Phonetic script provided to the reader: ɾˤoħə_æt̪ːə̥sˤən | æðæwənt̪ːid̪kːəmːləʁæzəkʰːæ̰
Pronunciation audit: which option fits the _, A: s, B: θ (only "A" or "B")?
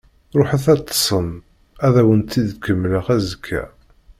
B